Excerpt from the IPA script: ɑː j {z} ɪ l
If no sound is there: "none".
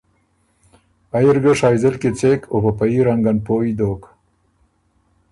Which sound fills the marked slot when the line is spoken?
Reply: z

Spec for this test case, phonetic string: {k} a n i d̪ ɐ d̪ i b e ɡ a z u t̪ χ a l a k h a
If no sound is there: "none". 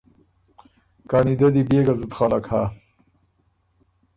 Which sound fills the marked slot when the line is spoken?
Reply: k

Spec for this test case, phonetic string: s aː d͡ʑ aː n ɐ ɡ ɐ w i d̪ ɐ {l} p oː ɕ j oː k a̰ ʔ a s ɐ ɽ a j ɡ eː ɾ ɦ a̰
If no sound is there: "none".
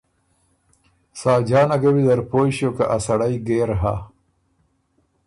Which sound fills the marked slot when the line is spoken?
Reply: ɾ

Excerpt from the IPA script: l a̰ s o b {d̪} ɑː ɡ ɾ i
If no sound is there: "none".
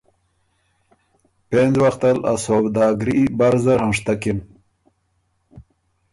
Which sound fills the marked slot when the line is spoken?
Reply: d̪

